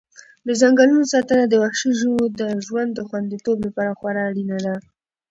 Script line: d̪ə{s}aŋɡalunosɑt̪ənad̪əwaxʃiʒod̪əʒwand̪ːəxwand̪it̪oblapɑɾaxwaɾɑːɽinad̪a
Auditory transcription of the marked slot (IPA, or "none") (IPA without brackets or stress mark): z